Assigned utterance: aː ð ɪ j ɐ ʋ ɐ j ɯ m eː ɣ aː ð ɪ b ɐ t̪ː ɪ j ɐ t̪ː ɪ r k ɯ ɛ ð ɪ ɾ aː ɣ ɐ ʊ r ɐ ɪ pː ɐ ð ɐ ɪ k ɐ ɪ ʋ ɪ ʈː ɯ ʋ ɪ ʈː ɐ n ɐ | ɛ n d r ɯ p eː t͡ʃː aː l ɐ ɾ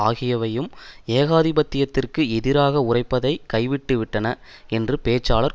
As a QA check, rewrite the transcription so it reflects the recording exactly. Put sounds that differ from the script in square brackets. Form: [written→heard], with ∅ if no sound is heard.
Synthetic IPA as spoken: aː [ð→ɣ] ɪ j ɐ ʋ ɐ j ɯ m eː ɣ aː ð ɪ b ɐ t̪ː ɪ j ɐ t̪ː ɪ r k ɯ ɛ ð ɪ ɾ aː ɣ ɐ ʊ r ɐ ɪ pː ɐ ð ɐ ɪ k ɐ ɪ ʋ ɪ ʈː ɯ ʋ ɪ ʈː ɐ n ɐ | ɛ n d r ɯ p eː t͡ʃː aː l ɐ ɾ